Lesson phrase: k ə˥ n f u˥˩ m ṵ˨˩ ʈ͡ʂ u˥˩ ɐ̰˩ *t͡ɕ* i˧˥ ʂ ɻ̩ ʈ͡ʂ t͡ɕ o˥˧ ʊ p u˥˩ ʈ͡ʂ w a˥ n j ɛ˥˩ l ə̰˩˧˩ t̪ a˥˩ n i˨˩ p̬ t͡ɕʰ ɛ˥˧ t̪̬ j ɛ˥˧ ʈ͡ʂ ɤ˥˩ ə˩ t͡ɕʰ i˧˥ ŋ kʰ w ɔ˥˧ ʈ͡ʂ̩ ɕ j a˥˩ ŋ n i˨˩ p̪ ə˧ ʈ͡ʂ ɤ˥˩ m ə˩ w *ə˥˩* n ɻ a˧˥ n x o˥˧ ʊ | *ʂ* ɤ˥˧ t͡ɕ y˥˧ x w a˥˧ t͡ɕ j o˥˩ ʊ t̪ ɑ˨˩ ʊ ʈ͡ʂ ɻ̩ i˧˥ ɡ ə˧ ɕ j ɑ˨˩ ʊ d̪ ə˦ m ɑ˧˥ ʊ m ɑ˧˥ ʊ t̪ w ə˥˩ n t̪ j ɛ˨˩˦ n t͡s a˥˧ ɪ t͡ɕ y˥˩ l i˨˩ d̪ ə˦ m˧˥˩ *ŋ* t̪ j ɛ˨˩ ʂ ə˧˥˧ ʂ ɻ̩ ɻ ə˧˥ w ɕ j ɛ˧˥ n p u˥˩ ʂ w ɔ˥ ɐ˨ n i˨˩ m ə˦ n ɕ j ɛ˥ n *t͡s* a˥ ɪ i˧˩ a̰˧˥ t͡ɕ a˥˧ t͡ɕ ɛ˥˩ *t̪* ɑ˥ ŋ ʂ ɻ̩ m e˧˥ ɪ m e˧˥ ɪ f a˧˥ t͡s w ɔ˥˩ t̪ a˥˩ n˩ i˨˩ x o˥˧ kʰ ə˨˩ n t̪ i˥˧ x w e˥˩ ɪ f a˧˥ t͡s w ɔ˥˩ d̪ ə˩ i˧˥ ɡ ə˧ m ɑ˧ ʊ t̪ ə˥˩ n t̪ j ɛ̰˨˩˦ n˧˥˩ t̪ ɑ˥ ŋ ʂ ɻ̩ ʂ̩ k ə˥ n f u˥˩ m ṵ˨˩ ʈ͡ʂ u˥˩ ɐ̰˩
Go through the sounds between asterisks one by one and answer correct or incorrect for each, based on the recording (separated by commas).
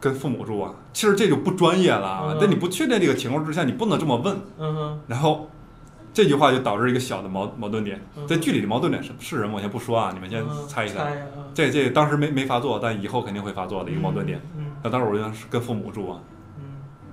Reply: incorrect, correct, incorrect, incorrect, incorrect, correct